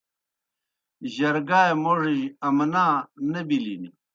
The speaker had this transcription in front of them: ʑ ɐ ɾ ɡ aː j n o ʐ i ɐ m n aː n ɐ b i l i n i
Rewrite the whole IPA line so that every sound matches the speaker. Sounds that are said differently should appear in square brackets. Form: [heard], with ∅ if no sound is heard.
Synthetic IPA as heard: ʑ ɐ ɾ ɡ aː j [m] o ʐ i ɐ m n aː n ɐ b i l i n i